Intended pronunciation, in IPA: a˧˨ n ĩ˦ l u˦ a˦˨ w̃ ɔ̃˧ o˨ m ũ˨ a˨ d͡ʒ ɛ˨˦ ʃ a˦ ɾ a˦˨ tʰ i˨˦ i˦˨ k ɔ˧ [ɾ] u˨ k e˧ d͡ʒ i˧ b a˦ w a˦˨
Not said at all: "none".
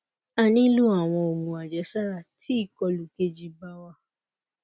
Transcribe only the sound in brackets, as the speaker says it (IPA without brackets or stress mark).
l